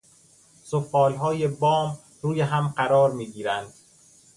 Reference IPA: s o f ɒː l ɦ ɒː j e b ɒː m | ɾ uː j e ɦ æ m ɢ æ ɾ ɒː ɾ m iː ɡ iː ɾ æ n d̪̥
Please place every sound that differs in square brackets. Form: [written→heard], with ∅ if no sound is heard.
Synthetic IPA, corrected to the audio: s o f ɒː l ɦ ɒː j e b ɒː m | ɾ uː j e ɦ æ m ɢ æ ɾ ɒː ɾ m iː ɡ iː ɾ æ n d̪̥